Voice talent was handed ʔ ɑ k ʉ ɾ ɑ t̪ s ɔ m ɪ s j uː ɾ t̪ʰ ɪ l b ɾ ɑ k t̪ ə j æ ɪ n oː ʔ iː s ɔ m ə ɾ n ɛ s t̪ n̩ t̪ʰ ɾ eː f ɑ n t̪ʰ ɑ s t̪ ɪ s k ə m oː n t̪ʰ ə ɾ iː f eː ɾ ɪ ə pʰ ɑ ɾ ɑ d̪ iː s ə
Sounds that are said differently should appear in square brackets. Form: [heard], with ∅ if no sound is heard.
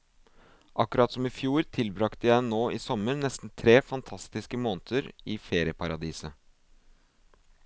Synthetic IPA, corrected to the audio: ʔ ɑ k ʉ ɾ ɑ t̪ s ɔ m ɪ [f] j uː ɾ t̪ʰ ɪ l b ɾ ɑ k t̪ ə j æ ɪ n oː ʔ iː s ɔ m ə ɾ n ɛ s t̪ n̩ t̪ʰ ɾ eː f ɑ n t̪ʰ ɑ s t̪ ɪ s k ə m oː n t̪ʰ ə ɾ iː f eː ɾ ɪ ə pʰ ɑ ɾ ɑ d̪ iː s ə

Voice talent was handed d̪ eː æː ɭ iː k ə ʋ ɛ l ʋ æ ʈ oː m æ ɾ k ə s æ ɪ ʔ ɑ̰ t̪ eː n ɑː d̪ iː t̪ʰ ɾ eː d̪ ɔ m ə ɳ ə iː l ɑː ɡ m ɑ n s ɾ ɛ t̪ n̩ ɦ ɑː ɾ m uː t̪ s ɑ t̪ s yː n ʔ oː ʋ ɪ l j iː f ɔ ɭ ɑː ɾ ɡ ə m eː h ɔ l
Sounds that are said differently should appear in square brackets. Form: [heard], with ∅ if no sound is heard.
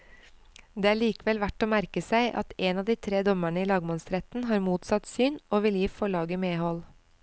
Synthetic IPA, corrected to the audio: d̪ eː æː ɭ iː k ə ʋ ɛ l ʋ æ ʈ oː m æ ɾ k ə s æ ɪ ʔ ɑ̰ t̪ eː n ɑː d̪ iː t̪ʰ ɾ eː d̪ ɔ m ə ɳ ə iː l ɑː ɡ m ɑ n s ɾ ɛ t̪ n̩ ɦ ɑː ɾ m uː t̪ s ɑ t̪ s yː n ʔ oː ʋ ɪ l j iː f ɔ ɭ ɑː [∅] ɡ ə m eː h ɔ l

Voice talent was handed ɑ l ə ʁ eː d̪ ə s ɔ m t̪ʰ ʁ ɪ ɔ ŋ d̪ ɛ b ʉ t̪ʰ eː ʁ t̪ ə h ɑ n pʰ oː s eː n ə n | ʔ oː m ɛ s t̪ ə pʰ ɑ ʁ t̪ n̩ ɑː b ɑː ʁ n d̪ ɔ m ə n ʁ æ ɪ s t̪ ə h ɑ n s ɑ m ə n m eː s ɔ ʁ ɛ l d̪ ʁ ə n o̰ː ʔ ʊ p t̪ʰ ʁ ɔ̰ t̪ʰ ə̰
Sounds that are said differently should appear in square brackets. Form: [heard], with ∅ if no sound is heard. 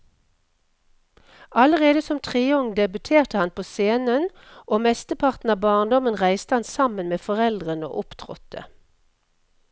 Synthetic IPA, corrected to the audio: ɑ l ə ʁ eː d̪ ə s ɔ m t̪ʰ ʁ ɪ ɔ ŋ d̪ ɛ b ʉ t̪ʰ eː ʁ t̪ ə h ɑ n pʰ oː s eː n ə n | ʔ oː m ɛ s t̪ ə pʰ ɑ ʁ t̪ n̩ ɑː b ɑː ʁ n d̪ ɔ m ə n ʁ æ ɪ s t̪ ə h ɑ n s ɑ m ə n m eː [f] ɔ ʁ ɛ l d̪ ʁ ə n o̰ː ʔ ʊ p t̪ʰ ʁ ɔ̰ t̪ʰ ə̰

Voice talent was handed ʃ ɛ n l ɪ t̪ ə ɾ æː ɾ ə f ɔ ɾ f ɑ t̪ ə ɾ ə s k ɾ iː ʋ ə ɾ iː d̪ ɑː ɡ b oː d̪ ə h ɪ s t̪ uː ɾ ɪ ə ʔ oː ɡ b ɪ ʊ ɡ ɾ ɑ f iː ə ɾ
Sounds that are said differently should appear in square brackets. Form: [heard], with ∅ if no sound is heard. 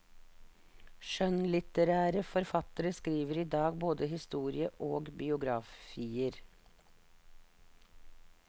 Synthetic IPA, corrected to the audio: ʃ [œ] n l ɪ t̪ ə ɾ æː ɾ ə f ɔ ɾ f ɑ t̪ ə ɾ ə s k ɾ iː ʋ ə ɾ iː d̪ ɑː ɡ b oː d̪ ə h ɪ s t̪ uː ɾ ɪ ə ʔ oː ɡ b ɪ ʊ ɡ ɾ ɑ f iː ə ɾ

